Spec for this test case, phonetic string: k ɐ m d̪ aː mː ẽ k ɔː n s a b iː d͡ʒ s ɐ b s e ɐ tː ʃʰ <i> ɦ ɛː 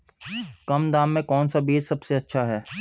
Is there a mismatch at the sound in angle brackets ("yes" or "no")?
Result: yes